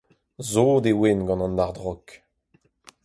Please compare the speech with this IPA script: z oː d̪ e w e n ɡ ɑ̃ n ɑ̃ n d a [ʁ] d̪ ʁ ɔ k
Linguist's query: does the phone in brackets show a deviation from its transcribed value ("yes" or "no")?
no